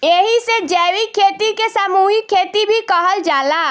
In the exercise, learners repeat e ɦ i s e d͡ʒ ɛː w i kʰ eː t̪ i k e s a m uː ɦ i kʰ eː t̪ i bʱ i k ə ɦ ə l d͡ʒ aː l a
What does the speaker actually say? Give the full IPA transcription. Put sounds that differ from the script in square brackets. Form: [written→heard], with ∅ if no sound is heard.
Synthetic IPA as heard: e ɦ i s e d͡ʒ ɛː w i kʰ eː t̪ i k e s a m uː ɦ i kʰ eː t̪ i bʱ i k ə ɦ ə l d͡ʒ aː l a

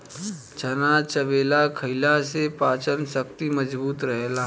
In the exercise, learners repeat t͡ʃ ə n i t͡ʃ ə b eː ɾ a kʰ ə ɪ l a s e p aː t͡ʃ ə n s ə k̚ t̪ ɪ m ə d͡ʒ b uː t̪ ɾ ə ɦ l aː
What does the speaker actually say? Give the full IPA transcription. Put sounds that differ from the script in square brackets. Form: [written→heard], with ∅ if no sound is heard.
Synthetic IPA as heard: t͡ʃ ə n [i→a] t͡ʃ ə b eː [ɾ→l] a kʰ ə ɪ l a s e p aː t͡ʃ ə n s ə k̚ t̪ [ɪ→i] m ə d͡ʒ b uː t̪ ɾ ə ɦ l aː

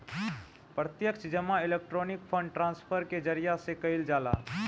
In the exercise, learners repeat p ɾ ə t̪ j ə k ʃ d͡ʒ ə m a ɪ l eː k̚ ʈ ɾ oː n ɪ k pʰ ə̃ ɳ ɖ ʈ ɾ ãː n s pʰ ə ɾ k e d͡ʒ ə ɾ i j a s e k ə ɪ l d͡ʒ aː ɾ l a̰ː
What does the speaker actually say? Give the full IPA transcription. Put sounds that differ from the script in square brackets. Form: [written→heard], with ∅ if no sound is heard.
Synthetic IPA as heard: p ɾ ə t̪ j ə k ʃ d͡ʒ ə m a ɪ l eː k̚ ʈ ɾ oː n ɪ k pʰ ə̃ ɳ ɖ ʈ ɾ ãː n s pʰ ə ɾ k e d͡ʒ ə ɾ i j a s e k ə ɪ l d͡ʒ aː [ɾ→∅] l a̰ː

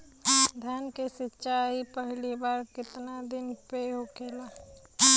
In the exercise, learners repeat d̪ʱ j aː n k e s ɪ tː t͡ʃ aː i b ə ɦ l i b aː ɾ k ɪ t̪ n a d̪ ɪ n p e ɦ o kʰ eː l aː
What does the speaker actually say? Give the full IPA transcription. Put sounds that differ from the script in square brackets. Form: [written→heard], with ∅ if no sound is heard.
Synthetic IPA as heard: d̪ʱ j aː n k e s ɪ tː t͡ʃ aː i [b→p] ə ɦ l i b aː ɾ k ɪ t̪ n a d̪ ɪ n p e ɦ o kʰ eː l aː

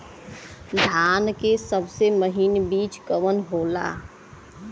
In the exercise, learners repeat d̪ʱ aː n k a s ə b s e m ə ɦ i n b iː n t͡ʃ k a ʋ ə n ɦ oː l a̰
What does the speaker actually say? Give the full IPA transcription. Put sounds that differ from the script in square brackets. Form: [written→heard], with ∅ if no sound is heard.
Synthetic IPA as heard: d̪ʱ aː n k [a→e] s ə b s e m ə ɦ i n b iː [n→∅] t͡ʃ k [a→ə] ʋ ə n ɦ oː l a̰

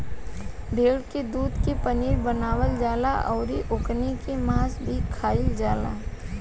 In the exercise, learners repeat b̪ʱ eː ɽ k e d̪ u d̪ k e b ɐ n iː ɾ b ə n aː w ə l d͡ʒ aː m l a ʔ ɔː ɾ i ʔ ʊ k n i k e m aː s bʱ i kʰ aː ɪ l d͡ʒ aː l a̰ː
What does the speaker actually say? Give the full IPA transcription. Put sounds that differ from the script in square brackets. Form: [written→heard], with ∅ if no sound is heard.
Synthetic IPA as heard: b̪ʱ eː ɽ k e d̪ [u→uː] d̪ k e [b→p] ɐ n iː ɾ b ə n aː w ə l d͡ʒ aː [m→∅] l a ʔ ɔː ɾ i ʔ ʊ k n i k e m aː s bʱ i kʰ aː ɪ l d͡ʒ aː l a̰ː

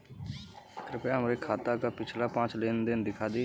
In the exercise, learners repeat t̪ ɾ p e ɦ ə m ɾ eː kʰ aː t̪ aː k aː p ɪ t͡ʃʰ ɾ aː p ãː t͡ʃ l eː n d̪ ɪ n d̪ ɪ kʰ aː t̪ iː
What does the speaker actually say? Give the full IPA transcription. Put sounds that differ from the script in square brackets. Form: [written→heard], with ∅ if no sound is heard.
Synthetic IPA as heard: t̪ ɾ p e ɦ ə m ɾ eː kʰ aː t̪ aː k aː p ɪ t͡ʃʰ [ɾ→l] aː p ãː t͡ʃ l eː n d̪ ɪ n d̪ ɪ kʰ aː [t̪→d̪] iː

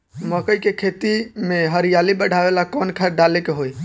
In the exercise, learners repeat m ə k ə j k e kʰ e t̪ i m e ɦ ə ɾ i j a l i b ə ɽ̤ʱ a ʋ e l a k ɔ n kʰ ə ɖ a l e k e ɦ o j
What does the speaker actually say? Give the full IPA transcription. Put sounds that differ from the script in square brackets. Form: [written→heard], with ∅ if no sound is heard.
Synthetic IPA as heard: m ə k ə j k e kʰ e t̪ i m e ɦ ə ɾ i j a l i b ə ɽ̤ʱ a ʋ e l a k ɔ n kʰ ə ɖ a l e k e ɦ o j

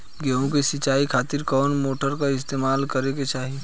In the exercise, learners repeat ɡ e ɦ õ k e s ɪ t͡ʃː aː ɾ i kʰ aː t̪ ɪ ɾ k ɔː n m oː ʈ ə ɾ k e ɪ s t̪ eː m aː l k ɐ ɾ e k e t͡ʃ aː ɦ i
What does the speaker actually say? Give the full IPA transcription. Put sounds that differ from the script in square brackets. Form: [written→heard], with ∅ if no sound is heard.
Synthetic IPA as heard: ɡ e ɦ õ k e s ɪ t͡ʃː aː [ɾ→∅] i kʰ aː t̪ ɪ ɾ k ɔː n m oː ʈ ə ɾ k [e→a] ɪ s t̪ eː m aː l k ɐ ɾ e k e t͡ʃ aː ɦ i

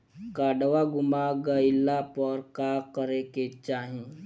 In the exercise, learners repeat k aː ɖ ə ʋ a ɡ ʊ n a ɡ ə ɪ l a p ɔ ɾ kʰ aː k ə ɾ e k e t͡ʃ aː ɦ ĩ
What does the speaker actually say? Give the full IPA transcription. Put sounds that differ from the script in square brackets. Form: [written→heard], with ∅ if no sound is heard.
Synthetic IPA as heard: k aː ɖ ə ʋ a ɡ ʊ [n→m] a ɡ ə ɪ l a p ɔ ɾ [kʰ→k] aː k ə ɾ e k e t͡ʃ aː ɦ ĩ

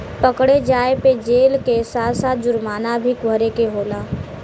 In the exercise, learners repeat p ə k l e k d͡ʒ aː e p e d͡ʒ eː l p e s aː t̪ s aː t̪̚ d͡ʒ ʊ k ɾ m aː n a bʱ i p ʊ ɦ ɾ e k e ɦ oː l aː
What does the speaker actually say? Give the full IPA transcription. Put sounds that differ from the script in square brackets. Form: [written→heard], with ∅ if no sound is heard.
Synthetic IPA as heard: p ə k [l→ɽ] e [k→∅] d͡ʒ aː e p e d͡ʒ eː l [p→k] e s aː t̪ s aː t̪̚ d͡ʒ ʊ [k→∅] ɾ m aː n a bʱ i [p→k] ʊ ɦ ɾ e k e ɦ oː l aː

